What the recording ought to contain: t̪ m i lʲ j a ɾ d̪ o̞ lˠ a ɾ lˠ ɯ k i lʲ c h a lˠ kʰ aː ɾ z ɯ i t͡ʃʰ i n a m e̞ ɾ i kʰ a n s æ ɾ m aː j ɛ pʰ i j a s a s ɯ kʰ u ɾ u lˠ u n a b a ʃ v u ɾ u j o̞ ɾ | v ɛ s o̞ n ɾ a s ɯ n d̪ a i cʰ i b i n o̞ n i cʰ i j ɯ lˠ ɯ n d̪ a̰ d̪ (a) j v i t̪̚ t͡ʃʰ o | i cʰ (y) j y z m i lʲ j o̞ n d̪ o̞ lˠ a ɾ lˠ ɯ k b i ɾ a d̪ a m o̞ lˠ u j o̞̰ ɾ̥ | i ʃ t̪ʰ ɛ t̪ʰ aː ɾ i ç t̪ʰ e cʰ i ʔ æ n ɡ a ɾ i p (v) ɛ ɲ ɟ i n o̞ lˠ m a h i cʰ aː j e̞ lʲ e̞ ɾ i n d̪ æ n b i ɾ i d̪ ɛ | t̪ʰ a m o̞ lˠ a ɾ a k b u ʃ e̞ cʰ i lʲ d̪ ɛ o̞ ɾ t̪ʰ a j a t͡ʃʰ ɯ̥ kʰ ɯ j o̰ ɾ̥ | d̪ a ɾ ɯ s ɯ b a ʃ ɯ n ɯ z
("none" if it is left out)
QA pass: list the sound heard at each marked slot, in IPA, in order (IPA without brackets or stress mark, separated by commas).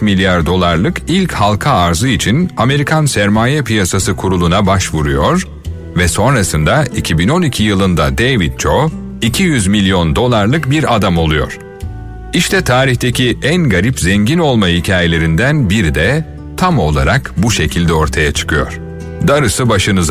e, i, z